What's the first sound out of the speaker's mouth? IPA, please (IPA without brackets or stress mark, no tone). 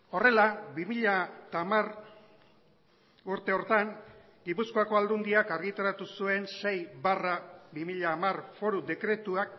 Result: o̞